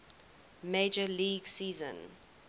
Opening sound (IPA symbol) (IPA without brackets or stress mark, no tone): m